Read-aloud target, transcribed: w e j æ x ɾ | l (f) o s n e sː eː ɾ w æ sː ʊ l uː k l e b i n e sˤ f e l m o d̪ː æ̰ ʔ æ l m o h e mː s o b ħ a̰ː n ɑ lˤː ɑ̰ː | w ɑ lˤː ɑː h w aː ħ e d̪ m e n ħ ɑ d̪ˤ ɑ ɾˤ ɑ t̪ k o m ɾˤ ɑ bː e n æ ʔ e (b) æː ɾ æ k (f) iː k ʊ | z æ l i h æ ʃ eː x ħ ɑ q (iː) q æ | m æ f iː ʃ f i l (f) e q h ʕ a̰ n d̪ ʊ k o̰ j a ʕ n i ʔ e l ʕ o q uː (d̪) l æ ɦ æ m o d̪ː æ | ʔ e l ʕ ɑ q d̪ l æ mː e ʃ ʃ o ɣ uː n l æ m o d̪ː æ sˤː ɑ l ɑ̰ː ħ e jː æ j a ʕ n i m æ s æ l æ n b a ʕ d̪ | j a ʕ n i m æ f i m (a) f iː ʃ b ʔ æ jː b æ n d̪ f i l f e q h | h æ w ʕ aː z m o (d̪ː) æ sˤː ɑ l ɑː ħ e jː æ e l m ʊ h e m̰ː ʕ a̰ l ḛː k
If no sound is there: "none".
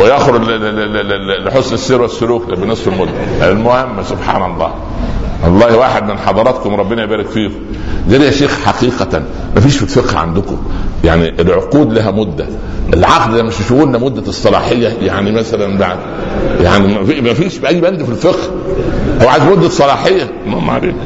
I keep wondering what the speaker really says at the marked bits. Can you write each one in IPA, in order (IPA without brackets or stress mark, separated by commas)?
ħ, b, f, iː, f, d̪, æ, d̪ː